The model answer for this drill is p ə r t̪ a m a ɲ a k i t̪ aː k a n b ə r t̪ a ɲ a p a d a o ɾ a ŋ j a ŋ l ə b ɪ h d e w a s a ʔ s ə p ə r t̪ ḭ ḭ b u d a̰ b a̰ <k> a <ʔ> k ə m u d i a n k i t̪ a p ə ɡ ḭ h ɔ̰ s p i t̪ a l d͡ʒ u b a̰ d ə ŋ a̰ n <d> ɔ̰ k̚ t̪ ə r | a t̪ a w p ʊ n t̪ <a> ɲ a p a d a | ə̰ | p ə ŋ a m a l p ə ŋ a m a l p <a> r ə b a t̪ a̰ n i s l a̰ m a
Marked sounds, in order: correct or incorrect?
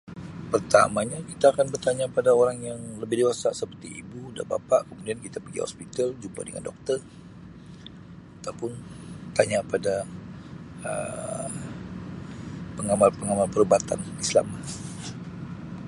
incorrect, correct, correct, correct, incorrect

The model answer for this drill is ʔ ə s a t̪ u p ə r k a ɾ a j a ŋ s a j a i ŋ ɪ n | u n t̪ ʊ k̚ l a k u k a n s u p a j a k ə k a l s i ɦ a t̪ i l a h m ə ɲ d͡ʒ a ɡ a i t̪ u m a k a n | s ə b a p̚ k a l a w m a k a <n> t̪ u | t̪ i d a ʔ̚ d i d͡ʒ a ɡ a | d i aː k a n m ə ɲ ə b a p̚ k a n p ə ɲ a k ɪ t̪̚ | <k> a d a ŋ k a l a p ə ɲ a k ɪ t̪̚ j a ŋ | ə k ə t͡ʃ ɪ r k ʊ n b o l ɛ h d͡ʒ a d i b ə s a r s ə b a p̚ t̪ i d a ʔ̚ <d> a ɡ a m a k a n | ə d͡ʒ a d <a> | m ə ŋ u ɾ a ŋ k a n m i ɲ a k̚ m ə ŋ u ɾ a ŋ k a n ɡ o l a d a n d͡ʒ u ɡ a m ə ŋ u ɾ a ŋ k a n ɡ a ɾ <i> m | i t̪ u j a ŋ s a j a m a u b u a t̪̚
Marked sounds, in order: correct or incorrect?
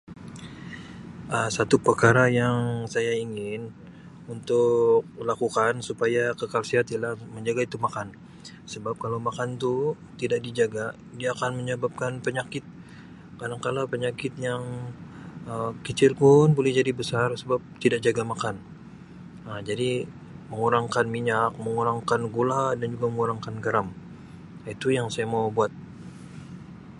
correct, correct, incorrect, incorrect, incorrect

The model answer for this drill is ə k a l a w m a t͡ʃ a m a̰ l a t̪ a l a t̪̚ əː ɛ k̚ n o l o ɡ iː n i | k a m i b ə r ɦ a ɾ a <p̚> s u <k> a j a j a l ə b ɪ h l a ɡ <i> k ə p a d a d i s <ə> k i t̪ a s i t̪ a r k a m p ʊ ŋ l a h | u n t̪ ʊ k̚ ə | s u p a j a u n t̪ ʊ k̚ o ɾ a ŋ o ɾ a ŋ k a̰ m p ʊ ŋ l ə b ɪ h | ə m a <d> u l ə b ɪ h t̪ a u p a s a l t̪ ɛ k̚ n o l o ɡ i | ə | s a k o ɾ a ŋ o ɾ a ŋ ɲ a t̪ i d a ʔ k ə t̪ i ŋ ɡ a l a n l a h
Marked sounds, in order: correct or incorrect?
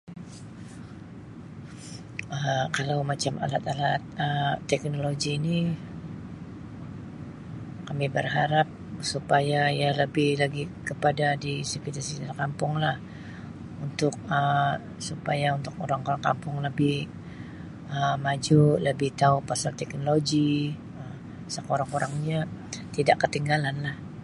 correct, incorrect, correct, correct, incorrect

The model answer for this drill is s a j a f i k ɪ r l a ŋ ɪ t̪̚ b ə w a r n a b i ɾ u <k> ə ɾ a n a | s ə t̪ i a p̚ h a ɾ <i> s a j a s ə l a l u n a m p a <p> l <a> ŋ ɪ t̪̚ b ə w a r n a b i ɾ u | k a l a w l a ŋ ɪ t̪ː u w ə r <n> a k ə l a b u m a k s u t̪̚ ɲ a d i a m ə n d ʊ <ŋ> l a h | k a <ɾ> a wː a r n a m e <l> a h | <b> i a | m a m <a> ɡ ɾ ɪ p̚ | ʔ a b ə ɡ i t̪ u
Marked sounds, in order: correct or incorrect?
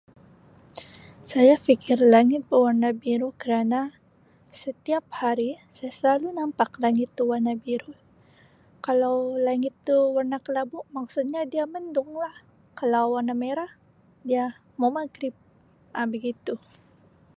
correct, correct, incorrect, correct, correct, correct, incorrect, incorrect, incorrect, correct

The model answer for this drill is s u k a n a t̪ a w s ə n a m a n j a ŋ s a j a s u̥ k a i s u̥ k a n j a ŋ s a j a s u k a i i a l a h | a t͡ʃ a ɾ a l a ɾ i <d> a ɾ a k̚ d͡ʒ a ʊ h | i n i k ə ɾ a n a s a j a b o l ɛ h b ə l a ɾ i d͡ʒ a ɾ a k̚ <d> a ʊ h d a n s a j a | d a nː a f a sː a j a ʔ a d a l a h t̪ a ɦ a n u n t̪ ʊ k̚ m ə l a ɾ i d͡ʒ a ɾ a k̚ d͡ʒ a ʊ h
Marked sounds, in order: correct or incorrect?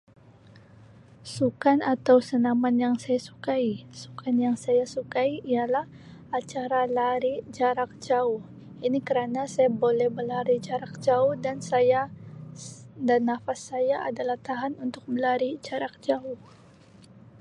incorrect, incorrect

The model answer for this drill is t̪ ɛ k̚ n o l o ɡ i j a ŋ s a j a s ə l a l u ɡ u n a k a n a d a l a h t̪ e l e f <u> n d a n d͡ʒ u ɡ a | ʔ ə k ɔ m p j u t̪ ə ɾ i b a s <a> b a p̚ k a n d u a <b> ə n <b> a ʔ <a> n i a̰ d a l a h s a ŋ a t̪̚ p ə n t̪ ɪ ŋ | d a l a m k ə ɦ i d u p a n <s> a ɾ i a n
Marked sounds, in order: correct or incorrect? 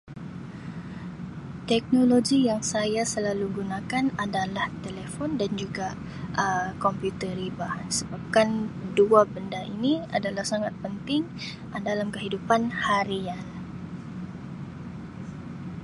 incorrect, incorrect, correct, incorrect, incorrect, incorrect

